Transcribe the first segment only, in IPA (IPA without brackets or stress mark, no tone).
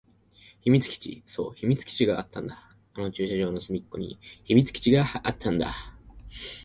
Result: ç